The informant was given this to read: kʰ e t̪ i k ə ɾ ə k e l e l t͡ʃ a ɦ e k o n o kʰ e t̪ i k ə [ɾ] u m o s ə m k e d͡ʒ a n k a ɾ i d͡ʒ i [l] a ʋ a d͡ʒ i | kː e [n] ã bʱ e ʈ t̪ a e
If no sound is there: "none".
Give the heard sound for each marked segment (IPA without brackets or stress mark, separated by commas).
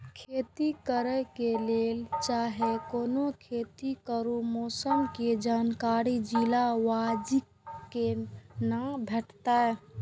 ɾ, l, n